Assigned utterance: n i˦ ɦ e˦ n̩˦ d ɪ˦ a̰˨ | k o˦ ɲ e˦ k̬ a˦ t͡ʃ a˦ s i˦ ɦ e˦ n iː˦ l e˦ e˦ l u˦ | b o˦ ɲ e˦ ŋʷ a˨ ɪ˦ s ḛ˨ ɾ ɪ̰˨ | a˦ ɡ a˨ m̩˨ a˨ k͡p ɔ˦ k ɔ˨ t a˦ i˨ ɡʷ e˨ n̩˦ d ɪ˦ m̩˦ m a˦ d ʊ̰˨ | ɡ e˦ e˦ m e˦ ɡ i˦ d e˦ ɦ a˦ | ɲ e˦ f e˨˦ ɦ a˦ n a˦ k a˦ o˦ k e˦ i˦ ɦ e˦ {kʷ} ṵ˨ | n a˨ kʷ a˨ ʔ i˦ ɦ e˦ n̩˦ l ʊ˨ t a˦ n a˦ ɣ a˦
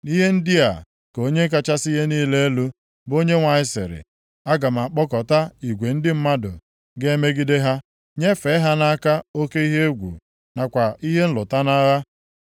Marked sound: incorrect: ɡʷ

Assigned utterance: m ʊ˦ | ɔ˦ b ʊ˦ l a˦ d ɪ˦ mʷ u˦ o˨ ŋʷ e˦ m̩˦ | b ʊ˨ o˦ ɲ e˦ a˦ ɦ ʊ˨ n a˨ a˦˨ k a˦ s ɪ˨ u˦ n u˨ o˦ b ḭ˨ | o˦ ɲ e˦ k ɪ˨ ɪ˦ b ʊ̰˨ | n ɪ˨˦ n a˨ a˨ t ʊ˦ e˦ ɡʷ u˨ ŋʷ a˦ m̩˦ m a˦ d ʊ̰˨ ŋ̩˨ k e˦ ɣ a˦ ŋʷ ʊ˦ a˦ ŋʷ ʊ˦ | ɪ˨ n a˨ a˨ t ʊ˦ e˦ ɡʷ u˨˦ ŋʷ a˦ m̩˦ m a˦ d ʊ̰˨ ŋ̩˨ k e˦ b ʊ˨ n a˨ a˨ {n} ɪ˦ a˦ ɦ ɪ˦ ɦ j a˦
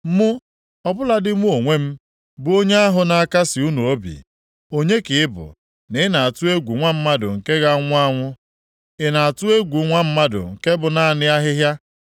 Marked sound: correct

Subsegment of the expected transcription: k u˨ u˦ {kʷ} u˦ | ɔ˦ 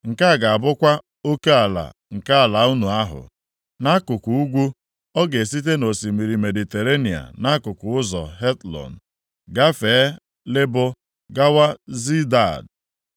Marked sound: incorrect: ɡʷ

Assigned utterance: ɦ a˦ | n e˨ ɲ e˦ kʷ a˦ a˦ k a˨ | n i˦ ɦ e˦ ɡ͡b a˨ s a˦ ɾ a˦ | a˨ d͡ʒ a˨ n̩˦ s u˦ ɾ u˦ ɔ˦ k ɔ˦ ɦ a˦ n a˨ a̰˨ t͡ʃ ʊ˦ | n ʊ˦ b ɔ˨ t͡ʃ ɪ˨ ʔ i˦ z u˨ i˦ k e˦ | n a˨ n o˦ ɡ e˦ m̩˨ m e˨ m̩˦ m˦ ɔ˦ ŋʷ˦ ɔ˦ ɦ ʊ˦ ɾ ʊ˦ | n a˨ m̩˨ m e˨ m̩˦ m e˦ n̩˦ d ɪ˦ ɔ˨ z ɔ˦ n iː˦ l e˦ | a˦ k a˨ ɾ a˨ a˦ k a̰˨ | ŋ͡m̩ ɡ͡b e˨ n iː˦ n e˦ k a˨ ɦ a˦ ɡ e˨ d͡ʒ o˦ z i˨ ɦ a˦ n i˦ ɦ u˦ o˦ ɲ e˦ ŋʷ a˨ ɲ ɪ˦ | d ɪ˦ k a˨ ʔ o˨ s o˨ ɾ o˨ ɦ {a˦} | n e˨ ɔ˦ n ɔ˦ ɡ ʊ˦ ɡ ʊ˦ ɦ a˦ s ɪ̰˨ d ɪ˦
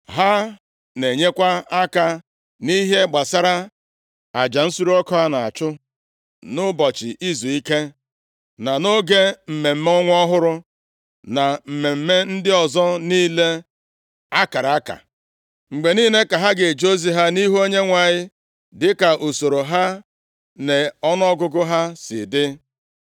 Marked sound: correct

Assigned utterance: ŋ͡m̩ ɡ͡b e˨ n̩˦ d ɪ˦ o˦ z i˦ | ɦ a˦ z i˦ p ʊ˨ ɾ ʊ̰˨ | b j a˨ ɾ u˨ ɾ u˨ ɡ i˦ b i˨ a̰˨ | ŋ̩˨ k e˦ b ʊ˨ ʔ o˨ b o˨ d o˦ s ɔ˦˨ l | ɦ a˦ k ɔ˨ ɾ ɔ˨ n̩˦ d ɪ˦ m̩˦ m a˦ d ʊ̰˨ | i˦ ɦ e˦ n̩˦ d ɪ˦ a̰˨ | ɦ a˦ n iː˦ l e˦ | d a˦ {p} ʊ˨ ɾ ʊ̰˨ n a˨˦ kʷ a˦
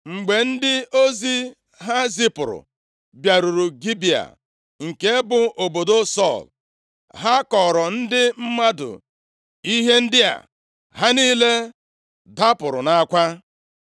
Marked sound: correct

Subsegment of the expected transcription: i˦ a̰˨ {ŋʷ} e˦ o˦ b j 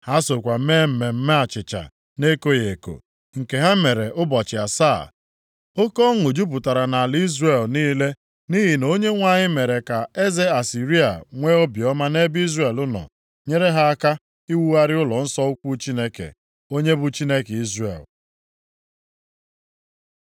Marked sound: correct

